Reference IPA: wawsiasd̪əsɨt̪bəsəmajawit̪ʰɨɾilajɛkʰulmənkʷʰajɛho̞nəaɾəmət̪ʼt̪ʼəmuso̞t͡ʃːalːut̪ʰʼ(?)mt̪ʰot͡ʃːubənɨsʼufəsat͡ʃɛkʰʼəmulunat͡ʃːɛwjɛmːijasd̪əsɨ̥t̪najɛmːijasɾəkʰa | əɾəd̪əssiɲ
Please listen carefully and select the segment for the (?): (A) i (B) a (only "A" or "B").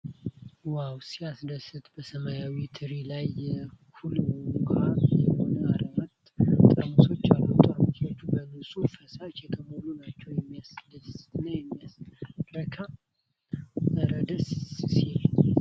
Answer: B